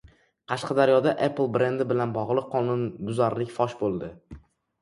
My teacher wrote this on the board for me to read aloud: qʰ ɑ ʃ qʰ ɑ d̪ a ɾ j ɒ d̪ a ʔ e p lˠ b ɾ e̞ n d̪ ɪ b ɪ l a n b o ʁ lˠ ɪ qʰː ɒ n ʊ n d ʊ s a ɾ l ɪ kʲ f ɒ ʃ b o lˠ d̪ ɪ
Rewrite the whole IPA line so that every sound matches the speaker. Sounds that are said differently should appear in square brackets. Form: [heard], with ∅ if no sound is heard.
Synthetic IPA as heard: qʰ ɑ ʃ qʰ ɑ d̪ a ɾ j ɒ d̪ a ʔ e p lˠ b ɾ e̞ n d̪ ɪ b ɪ l a n b [ɒ] ʁ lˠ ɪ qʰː ɒ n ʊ n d ʊ [z] a ɾ l ɪ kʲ f ɒ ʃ b o lˠ d̪ ɪ

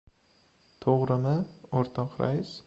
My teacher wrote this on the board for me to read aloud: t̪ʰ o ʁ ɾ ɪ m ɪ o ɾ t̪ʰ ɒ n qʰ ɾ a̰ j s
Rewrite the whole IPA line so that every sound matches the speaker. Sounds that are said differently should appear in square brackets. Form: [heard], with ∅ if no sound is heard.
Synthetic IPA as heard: t̪ʰ o ʁ ɾ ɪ m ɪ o ɾ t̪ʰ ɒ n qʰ ɾ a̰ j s

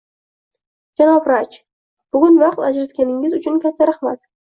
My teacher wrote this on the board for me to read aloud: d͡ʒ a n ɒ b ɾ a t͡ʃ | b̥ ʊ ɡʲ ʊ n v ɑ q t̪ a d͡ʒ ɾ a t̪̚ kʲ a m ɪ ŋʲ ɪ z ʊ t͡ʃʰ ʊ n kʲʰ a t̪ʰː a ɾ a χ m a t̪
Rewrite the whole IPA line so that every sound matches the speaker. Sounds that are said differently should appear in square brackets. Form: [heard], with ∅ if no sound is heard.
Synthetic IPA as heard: d͡ʒ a n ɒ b ɾ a t͡ʃ | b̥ ʊ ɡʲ ʊ n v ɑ q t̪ a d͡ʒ ɾ a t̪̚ kʲ a [n] ɪ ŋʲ ɪ z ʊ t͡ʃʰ ʊ n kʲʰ a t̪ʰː a ɾ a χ m a t̪

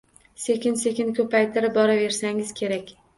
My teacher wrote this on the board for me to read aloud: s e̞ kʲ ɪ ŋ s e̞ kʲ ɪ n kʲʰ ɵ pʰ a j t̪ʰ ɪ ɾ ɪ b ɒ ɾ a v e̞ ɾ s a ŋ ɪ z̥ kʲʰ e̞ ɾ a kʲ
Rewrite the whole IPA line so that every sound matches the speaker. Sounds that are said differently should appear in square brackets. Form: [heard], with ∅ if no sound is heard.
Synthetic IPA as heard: s e̞ kʲ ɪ [n] s e̞ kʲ ɪ n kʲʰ ɵ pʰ a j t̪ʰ ɪ ɾ ɪ b ɒ ɾ a v e̞ ɾ s a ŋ ɪ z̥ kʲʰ e̞ ɾ a kʲ

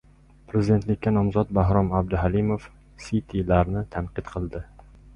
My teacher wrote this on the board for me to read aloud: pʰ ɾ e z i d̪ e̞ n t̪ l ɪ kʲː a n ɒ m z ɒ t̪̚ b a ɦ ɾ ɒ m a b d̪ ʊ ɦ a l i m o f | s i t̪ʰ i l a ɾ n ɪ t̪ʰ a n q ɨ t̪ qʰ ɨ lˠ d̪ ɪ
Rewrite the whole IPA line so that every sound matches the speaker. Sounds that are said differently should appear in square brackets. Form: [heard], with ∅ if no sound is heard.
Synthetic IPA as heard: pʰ ɾ e z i d̪ e̞ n t̪ l ɪ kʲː a n ɒ m z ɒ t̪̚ b a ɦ ɾ ɒ m a b d̪ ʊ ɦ a l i m o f | s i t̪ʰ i l a ɾ n ɪ t̪ʰ a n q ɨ t̪ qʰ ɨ lˠ d̪ ɪ

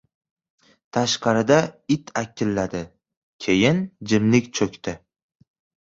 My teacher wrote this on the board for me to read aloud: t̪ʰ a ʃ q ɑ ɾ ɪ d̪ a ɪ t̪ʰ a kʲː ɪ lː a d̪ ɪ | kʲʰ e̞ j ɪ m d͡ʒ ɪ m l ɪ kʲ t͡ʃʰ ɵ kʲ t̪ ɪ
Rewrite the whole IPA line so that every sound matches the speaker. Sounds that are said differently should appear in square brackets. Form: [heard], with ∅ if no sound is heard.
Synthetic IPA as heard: t̪ʰ a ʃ q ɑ ɾ ɪ d̪ a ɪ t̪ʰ a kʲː ɪ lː a d̪ ɪ | kʲʰ e̞ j ɪ [n] d͡ʒ ɪ m l ɪ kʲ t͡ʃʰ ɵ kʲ t̪ ɪ

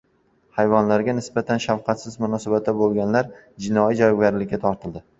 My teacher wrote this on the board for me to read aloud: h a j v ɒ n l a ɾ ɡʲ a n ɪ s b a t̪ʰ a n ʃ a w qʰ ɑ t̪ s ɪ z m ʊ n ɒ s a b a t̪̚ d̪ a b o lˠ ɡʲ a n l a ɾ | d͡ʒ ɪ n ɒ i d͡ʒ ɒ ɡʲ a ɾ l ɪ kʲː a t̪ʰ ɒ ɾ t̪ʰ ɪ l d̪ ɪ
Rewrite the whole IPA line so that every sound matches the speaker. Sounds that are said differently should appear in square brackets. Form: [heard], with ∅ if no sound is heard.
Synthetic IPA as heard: h a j v ɒ n l a ɾ ɡʲ a n ɪ s b a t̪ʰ a n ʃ a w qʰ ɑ t̪ s ɪ z m ʊ n ɒ s a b a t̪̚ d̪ a b o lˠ ɡʲ a n l a ɾ | d͡ʒ ɪ n ɒ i d͡ʒ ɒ ɡʲ a ɾ l ɪ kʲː a t̪ʰ ɒ ɾ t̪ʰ ɪ l d̪ ɪ

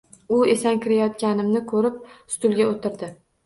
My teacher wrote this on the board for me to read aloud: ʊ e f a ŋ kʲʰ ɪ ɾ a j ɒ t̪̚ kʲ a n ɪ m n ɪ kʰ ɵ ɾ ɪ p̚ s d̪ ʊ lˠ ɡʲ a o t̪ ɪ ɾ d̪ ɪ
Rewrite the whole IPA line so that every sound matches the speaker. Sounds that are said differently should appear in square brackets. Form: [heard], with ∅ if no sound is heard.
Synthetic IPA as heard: ʊ e [s] a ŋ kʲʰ ɪ ɾ a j ɒ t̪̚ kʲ a n ɪ m n ɪ kʰ ɵ ɾ ɪ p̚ s [t̪] ʊ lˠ ɡʲ a o t̪ ɪ ɾ d̪ ɪ

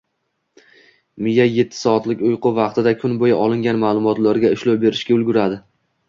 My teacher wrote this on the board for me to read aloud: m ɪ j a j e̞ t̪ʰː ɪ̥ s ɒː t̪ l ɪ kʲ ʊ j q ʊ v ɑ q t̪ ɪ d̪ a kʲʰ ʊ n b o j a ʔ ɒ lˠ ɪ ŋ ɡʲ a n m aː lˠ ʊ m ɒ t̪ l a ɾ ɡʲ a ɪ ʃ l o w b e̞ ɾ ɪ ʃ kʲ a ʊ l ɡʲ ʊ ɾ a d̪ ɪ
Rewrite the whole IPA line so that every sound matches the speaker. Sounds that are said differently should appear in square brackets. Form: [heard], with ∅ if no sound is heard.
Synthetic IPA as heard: m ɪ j a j e̞ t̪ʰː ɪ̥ s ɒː t̪ l ɪ kʲ ʊ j q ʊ v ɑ q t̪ ɪ d̪ a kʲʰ ʊ n b o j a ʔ ɒ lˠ ɪ ŋ ɡʲ a n m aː lˠ ʊ m ɒ t̪ l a ɾ ɡʲ a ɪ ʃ l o w b e̞ ɾ ɪ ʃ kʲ a ʊ l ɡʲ ʊ ɾ a d̪ ɪ

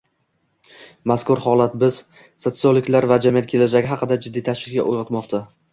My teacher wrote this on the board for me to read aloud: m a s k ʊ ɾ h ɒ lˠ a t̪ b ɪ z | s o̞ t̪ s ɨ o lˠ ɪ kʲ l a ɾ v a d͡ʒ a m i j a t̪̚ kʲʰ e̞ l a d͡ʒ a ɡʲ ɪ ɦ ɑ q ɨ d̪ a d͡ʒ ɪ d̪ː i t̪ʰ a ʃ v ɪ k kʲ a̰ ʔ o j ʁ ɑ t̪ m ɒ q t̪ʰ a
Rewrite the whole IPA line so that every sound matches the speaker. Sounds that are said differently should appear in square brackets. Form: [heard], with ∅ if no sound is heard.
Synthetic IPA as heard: m a s k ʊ ɾ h ɒ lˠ a t̪ b ɪ z | s o̞ t̪ s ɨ o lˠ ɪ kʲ l a ɾ v a d͡ʒ a m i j a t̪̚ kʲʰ e̞ l a d͡ʒ a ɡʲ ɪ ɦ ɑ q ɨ d̪ a d͡ʒ ɪ d̪ː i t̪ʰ a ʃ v ɪ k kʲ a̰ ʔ o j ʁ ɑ t̪ m ɒ q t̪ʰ a

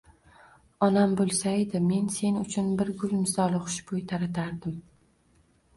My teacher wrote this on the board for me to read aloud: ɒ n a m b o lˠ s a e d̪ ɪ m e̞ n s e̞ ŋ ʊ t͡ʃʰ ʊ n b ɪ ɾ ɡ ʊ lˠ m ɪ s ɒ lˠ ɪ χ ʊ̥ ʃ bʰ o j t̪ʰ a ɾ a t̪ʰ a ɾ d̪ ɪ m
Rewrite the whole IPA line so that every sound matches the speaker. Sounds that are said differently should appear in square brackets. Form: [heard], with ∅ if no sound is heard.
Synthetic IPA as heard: ɒ n a m b o lˠ s a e d̪ ɪ m e̞ n s e̞ [n] ʊ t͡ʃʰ ʊ n b ɪ ɾ ɡ ʊ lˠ m ɪ s ɒ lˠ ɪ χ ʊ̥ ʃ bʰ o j t̪ʰ a ɾ a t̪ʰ a ɾ d̪ ɪ m

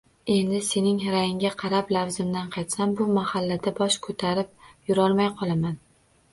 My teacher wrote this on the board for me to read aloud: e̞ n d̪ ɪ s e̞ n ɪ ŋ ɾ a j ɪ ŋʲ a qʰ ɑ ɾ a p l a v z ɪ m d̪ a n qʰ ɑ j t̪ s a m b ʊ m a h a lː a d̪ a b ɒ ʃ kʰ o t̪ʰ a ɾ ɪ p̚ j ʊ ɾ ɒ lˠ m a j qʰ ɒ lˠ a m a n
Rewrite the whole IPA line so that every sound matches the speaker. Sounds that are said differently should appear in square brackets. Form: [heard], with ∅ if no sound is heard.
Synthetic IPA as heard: e̞ n d̪ ɪ s e̞ n ɪ ŋ ɾ a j ɪ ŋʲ a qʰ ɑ ɾ a p l a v z ɪ m d̪ a n qʰ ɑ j t̪ s a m b ʊ m a h a lː a d̪ a b ɒ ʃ kʰ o t̪ʰ a ɾ ɪ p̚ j ʊ ɾ ɒ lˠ m a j qʰ ɒ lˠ a m a n

